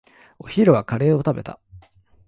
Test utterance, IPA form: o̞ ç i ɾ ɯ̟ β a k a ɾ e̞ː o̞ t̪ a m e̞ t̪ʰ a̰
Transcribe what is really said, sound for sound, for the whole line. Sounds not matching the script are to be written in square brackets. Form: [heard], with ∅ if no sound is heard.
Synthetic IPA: o̞ ç i ɾ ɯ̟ β a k a ɾ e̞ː o̞ t̪ a [b] e̞ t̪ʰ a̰

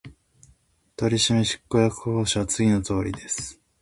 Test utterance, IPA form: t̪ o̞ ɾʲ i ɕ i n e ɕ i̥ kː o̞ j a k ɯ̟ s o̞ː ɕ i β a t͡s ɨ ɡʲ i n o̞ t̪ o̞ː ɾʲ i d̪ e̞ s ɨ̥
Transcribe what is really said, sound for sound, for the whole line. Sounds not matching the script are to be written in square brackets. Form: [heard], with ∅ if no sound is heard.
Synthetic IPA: t̪ o̞ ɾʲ i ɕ i [m] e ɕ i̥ kː o̞ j a k ɯ̟ [h] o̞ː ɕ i β a t͡s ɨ ɡʲ i n o̞ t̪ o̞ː ɾʲ i d̪ e̞ s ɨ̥

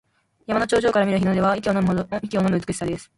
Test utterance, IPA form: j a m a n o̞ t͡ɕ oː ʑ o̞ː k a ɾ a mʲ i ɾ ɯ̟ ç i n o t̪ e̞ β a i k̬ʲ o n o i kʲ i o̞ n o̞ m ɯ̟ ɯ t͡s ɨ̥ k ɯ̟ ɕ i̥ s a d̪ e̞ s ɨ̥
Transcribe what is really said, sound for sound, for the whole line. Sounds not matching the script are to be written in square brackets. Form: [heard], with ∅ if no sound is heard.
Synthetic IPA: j a m a n o̞ t͡ɕ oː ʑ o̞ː k a ɾ a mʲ i ɾ ɯ̟ ç i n o [d̪] e̞ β a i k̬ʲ o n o i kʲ i o̞ n o̞ m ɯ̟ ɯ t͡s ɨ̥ k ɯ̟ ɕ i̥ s a d̪ e̞ s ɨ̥

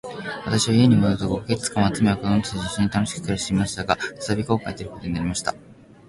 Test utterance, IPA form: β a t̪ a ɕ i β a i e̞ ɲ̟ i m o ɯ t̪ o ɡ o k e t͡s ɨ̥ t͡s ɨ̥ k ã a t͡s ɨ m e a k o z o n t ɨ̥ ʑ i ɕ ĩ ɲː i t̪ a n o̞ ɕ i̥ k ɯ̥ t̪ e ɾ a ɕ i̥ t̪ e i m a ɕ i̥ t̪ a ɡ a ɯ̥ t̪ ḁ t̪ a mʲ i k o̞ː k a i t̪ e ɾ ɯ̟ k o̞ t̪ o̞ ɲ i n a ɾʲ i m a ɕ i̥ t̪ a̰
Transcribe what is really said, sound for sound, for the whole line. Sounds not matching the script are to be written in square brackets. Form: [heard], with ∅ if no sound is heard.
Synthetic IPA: β a t̪ a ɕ i β a i e̞ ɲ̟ i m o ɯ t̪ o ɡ o k e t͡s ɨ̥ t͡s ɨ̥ k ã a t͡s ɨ m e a k o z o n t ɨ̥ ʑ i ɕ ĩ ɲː i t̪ a n o̞ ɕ i̥ k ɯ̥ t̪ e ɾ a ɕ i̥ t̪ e i m a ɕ i̥ t̪ a ɡ a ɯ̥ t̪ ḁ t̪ a [bʲ] i k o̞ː k a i t̪ e ɾ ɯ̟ k o̞ t̪ o̞ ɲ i n a ɾʲ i m a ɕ i̥ t̪ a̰

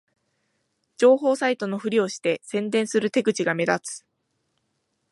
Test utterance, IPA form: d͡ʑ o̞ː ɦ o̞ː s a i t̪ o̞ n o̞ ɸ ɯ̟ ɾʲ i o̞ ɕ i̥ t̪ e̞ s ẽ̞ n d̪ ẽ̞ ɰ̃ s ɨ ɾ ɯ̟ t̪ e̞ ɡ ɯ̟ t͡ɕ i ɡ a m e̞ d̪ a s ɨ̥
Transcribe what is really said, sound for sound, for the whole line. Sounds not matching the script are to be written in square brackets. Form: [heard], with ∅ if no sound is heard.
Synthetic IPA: d͡ʑ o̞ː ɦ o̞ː s a i t̪ o̞ n o̞ ɸ ɯ̟ ɾʲ i o̞ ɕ i̥ t̪ e̞ s ẽ̞ n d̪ ẽ̞ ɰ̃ s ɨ ɾ ɯ̟ t̪ e̞ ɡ ɯ̟ t͡ɕ i ɡ a m e̞ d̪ a [t͡s] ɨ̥

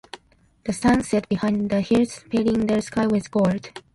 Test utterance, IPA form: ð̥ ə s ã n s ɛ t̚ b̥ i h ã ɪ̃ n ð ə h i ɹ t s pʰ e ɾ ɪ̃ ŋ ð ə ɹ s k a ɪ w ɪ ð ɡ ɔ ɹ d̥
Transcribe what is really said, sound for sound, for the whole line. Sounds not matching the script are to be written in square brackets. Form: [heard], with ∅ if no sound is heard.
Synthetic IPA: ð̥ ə s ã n s ɛ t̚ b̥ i h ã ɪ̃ n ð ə h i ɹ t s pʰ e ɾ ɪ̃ ŋ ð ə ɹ s k a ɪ w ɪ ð ɡ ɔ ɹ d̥

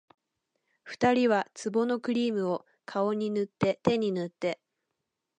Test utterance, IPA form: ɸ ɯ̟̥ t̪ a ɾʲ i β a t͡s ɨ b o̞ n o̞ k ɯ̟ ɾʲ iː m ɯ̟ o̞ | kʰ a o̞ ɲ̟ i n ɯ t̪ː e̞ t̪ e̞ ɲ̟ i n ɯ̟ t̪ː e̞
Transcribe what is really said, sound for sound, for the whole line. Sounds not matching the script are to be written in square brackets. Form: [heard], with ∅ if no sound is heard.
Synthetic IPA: ɸ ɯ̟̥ t̪ a ɾʲ i β a t͡s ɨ b o̞ n o̞ k ɯ̟ ɾʲ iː m ɯ̟ o̞ | kʰ a o̞ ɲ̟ i n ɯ t̪ː e̞ t̪ e̞ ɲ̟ i n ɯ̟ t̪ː e̞

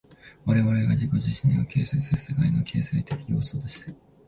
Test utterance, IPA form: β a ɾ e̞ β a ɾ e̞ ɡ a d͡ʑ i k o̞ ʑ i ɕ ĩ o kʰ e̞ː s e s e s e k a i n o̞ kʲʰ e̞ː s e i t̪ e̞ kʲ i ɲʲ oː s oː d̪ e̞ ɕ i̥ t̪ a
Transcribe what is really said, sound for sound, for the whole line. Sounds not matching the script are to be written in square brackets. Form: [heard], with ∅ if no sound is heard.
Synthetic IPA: β a ɾ e̞ β a ɾ e̞ ɡ a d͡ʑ i k o̞ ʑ i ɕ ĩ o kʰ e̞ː s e s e s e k a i n o̞ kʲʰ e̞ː s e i t̪ e̞ kʲ i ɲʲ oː s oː d̪ e̞ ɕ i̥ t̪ a

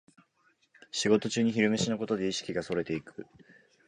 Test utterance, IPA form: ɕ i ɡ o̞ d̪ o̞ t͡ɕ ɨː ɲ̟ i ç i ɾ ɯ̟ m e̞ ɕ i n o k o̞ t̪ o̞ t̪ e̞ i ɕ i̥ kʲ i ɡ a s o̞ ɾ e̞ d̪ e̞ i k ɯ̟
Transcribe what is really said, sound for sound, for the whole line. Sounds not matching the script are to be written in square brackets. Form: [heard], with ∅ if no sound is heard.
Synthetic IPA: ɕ i ɡ o̞ [t̪] o̞ t͡ɕ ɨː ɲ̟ i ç i ɾ ɯ̟ m e̞ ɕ i n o k o̞ t̪ o̞ [d̪] e̞ i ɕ i̥ kʲ i ɡ a s o̞ ɾ e̞ [t̪] e̞ i k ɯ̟

